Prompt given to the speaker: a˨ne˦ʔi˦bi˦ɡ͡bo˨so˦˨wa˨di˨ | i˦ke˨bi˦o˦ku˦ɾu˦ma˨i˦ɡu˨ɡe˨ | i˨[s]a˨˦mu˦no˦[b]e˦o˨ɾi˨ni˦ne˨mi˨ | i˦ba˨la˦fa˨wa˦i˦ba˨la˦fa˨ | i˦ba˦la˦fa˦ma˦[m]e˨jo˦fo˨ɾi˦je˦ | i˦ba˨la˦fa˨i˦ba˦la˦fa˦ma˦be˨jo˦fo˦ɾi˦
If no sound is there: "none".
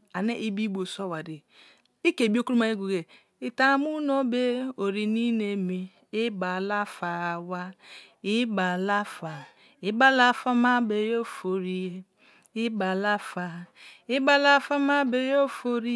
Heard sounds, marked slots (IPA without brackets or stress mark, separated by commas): t, b, b